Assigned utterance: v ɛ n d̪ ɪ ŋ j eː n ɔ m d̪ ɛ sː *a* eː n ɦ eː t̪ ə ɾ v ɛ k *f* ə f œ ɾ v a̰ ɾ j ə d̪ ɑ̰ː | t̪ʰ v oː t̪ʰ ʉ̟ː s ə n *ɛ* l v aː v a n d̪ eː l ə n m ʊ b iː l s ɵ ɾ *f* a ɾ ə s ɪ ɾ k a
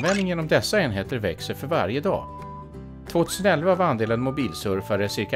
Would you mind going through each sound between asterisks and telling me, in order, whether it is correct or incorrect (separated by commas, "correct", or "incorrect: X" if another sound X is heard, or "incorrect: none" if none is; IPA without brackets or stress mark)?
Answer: correct, incorrect: s, correct, correct